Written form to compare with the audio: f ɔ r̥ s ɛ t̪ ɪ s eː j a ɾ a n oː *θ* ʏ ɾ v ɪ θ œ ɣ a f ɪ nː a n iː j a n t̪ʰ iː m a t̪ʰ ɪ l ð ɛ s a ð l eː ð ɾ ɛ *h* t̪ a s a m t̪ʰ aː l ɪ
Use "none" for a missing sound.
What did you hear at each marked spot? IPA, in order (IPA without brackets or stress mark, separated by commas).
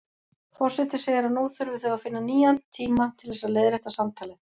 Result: θ, h